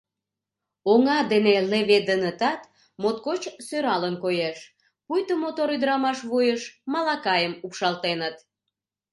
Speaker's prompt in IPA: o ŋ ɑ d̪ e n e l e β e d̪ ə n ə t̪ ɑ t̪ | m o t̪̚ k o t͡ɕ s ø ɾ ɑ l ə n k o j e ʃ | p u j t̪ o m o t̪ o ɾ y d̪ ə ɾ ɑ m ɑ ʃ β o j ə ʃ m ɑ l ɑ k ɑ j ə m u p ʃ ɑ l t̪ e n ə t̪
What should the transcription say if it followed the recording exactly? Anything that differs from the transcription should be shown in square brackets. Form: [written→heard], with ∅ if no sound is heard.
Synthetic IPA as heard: o ŋ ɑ d̪ e n e l e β e d̪ ə n ə t̪ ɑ t̪ | m o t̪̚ k o t͡ɕ s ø ɾ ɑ l ə n k o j e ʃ | p u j t̪ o m o t̪ o ɾ y d̪ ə ɾ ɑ m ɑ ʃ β [o→u] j ə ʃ m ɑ l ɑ k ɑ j ə m u p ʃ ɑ l t̪ e n ə t̪

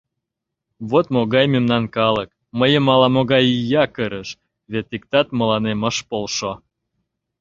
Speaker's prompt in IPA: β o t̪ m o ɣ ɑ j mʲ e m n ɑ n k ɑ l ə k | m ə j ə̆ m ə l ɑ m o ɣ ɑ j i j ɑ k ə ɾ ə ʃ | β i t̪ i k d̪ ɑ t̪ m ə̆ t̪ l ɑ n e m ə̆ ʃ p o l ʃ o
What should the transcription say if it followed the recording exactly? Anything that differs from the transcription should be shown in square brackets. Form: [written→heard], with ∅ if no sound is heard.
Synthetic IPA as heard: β o t̪ m o ɣ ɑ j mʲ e m n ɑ n k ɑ l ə k | m ə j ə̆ m [ə→ɑ] l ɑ m o ɣ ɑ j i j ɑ k ə ɾ ə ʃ | β [i→e] t̪ i k [d̪→t̪] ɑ t̪ m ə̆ [t̪→∅] l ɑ n e m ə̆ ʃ p o l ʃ o

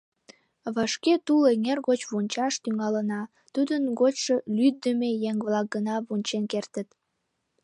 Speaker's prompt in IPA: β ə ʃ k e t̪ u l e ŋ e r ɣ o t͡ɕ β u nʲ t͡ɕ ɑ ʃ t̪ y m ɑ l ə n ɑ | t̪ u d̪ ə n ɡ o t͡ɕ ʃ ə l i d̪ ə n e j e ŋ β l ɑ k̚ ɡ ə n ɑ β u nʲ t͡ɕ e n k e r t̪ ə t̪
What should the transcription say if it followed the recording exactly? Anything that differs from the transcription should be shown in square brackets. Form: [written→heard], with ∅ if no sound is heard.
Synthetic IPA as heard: β [ə→ɑ] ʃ k e t̪ u l e ŋ e r ɣ o t͡ɕ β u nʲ t͡ɕ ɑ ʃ t̪ y [m→ŋ] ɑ l ə n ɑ | t̪ u d̪ ə n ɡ o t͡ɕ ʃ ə l [i→y] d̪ ə [n→m] e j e ŋ β l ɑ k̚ ɡ ə n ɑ β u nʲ t͡ɕ e n k e r t̪ ə t̪

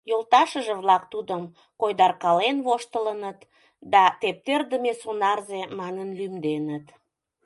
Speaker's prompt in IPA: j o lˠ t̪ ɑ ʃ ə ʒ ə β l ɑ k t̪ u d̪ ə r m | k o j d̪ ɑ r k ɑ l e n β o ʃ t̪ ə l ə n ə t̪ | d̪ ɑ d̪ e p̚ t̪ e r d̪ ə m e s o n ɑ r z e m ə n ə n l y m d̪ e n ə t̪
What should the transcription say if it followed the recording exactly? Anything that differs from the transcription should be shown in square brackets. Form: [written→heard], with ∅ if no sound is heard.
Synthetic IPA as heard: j o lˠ t̪ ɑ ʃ ə ʒ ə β l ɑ k t̪ u d̪ ə [r→∅] m | k o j d̪ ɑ r k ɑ l e n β o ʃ t̪ ə l ə n ə t̪ | d̪ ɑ [d̪→t̪] e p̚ t̪ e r d̪ ə m e s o n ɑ r z e m [ə→ɑ] n ə n l y m d̪ e n ə t̪

